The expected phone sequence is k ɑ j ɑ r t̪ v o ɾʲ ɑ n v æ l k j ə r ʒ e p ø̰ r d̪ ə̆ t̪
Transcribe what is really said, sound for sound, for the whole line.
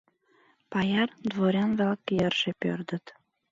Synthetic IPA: p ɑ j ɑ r d̪ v o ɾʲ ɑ n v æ l k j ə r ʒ e p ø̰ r d̪ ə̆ t̪